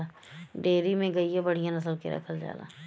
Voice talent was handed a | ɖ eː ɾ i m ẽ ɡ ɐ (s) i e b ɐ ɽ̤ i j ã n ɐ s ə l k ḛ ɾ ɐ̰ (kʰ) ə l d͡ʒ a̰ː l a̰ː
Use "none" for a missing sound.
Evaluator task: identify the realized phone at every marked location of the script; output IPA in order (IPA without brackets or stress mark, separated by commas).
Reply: none, kʰ